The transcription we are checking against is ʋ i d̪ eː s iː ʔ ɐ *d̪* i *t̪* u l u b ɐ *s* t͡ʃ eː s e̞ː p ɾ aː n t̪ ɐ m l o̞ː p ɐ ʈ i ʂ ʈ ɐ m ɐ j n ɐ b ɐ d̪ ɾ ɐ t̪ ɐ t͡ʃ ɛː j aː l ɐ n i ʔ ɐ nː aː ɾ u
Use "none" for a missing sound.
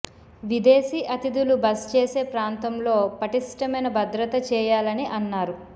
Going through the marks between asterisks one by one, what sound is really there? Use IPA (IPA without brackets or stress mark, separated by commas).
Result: t̪, d̪, s